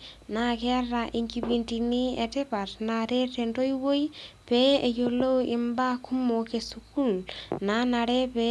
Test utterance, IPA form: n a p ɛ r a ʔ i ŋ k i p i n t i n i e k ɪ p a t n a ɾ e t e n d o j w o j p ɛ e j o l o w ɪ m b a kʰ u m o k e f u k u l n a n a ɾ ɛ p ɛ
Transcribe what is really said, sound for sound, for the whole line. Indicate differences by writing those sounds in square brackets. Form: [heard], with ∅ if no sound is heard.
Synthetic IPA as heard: n a [k] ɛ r a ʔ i ŋ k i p i n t i n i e [t] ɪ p a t n a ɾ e t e n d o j w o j p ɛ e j o l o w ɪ m b a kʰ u m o k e [s] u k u l n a n a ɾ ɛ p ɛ